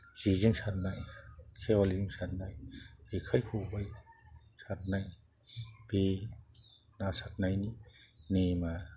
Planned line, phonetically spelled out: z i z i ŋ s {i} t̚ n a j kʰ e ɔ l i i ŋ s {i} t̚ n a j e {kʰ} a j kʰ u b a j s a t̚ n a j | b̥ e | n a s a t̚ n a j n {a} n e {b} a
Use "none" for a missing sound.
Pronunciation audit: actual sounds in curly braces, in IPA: a, a, kʰ, i, m

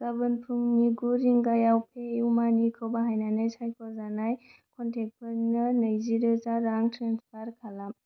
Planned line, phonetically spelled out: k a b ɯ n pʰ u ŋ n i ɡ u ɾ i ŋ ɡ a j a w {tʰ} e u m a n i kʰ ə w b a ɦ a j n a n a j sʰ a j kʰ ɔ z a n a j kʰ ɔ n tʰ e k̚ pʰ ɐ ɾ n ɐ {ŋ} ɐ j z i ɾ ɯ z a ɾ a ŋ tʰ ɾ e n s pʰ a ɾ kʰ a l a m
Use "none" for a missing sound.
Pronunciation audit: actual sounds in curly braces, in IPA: pʰ, n

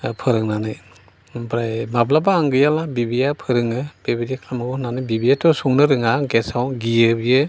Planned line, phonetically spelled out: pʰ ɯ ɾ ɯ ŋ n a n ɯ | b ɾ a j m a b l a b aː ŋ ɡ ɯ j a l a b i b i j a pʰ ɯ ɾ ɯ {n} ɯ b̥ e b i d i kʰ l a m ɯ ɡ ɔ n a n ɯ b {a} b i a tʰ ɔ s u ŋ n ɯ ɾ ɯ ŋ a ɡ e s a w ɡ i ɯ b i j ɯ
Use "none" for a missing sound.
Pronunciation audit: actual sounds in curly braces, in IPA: ŋ, i

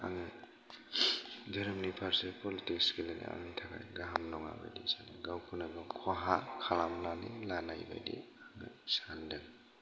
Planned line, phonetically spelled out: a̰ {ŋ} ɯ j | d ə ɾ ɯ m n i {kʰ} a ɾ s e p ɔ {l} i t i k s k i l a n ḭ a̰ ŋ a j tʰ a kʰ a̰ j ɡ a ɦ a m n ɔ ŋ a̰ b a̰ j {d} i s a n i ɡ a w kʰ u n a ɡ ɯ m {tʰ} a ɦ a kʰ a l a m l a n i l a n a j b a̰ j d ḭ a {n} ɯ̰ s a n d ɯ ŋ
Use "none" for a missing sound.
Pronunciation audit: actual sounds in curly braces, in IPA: ŋ, pʰ, l, d, kʰ, ŋ

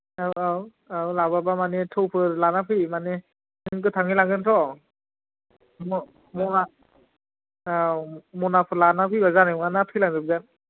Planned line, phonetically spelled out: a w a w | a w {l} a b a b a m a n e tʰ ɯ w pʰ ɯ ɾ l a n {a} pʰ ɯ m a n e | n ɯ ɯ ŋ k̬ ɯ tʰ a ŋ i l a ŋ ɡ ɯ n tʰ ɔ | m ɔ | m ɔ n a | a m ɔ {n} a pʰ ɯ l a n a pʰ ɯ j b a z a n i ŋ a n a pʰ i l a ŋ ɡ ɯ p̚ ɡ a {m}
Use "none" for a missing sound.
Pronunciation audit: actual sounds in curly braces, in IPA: l, a, n, n

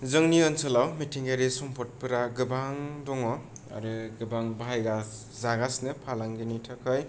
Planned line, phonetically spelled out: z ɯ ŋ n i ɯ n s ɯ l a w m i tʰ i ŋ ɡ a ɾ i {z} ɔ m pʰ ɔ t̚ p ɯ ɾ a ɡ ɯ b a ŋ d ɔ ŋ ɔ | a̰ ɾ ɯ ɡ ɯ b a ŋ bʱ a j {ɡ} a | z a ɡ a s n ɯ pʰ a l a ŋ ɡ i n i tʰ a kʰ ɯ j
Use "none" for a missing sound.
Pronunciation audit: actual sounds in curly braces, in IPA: s, ɡ

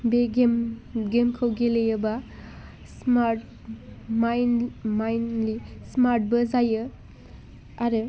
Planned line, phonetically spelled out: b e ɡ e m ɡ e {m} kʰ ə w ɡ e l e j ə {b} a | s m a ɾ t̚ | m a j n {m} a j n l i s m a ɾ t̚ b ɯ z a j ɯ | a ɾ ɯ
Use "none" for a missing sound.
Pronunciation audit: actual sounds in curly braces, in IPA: m, b, m

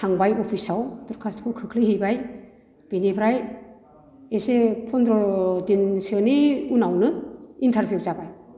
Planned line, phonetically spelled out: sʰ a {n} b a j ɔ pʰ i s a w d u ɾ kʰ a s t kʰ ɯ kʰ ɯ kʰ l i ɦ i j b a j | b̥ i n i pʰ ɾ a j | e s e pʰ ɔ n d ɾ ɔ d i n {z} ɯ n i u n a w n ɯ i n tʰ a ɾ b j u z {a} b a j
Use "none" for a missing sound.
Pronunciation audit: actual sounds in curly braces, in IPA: ŋ, s, a

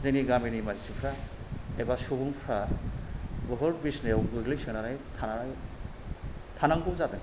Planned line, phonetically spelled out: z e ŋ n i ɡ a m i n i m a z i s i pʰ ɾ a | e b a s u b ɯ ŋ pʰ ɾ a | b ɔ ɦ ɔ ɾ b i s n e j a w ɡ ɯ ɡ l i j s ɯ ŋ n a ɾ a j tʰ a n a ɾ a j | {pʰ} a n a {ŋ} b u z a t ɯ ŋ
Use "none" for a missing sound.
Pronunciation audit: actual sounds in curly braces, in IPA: tʰ, ŋ

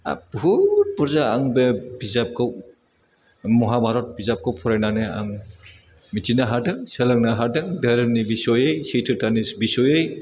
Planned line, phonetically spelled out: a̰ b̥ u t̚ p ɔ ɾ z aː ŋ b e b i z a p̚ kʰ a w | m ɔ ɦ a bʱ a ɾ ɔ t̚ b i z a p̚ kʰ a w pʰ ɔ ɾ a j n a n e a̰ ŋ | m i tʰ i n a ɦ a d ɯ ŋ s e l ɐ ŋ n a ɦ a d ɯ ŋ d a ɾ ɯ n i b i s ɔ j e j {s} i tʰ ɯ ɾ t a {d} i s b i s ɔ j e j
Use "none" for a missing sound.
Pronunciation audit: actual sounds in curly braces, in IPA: s, n

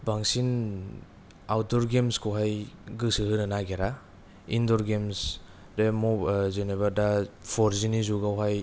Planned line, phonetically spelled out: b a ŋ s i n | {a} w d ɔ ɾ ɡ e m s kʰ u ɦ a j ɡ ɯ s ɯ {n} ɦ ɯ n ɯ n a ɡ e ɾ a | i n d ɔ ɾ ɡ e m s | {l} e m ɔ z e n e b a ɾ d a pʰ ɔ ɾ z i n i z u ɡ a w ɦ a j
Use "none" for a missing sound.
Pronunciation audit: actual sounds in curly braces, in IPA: a, none, ɾ

